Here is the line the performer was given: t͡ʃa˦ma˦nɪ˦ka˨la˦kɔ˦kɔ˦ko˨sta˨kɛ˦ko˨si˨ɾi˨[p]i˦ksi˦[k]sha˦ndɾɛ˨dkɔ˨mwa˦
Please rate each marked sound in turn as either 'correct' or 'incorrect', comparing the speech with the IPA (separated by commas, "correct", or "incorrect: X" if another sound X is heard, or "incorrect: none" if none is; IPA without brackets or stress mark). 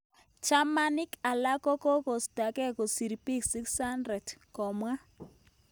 correct, correct